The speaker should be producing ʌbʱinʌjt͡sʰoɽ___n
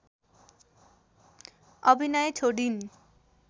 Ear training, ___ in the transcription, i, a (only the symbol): i